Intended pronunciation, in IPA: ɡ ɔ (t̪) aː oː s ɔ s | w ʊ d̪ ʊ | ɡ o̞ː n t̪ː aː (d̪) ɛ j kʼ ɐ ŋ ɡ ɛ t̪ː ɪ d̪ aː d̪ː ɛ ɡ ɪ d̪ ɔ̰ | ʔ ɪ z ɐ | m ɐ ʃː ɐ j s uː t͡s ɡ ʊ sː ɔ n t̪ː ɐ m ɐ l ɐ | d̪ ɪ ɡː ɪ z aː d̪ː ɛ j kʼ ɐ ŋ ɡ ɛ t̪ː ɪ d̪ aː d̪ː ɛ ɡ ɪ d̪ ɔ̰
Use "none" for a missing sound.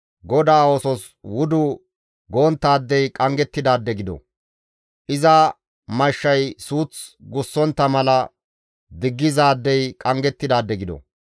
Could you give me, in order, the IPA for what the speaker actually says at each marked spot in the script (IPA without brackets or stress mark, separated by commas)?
d̪, d̪ː